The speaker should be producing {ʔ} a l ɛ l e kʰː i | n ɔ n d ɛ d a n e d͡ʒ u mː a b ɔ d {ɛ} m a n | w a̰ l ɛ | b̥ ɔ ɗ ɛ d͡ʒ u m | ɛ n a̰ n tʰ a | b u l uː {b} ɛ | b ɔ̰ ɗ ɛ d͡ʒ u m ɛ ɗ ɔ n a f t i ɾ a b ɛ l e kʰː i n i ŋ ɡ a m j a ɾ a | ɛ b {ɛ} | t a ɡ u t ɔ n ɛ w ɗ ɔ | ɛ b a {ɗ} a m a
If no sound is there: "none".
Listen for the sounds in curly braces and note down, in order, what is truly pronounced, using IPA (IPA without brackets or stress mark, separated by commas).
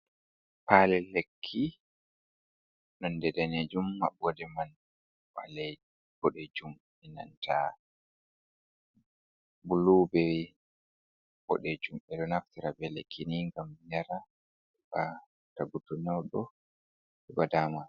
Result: p, ɛ, b, a, d